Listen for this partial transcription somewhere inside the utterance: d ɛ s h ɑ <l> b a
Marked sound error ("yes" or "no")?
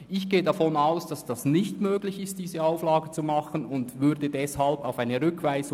no